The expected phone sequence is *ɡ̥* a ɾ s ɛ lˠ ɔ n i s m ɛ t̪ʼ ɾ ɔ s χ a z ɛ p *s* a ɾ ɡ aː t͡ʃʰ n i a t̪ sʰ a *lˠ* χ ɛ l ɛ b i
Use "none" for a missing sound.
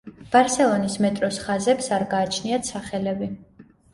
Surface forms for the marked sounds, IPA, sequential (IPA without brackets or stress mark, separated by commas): b̥, s, none